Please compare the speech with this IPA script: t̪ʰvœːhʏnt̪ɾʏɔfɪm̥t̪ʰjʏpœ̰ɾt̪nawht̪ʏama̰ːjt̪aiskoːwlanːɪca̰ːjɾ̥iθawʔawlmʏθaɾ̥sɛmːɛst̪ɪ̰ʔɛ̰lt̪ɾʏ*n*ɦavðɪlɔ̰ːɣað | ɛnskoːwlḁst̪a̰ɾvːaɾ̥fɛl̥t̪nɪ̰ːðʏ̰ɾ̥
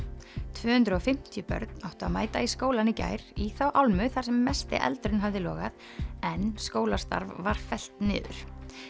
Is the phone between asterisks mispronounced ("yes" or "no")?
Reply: no